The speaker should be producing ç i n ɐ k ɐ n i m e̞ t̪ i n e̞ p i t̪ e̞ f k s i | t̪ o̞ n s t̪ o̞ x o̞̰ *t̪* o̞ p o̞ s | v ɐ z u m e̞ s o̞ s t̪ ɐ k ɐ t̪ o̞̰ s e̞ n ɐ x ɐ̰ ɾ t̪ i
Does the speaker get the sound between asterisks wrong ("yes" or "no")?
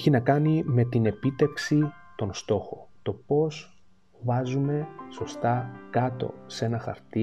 no